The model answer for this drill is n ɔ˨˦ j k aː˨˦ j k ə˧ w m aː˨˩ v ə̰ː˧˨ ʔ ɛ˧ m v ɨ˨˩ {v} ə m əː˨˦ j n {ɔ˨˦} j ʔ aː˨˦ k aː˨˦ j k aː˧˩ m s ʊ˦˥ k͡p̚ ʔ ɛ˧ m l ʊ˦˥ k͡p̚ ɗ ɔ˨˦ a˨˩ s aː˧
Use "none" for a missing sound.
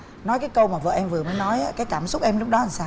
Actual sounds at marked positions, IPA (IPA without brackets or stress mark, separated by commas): none, ɔ˨˦